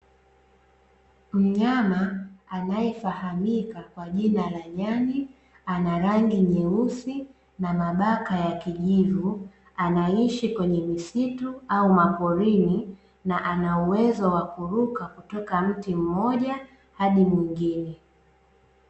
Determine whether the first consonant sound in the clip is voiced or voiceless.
voiced